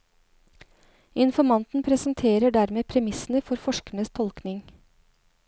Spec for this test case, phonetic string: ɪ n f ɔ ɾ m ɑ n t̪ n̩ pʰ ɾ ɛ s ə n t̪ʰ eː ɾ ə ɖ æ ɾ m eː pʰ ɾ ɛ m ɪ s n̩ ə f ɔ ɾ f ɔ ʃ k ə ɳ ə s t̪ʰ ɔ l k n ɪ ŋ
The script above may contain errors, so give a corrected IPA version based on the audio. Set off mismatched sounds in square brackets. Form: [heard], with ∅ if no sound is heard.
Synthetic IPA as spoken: ɪ n f ɔ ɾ m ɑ n t̪ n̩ pʰ ɾ ɛ s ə n t̪ʰ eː ɾ ə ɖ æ ɾ m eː pʰ ɾ ɛ m ɪ s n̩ ə f ɔ ɾ f ɔ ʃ k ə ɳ ə s t̪ʰ ɔ l k n ɪ ŋ